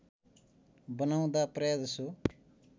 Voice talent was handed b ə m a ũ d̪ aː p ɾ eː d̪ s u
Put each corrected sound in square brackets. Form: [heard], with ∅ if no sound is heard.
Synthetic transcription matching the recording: b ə [n] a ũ d̪ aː p ɾ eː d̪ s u